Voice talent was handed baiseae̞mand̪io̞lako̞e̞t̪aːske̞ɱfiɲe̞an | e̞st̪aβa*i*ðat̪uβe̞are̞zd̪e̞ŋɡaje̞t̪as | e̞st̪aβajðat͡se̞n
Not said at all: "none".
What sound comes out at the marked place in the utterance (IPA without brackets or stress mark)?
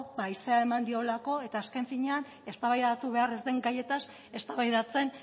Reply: j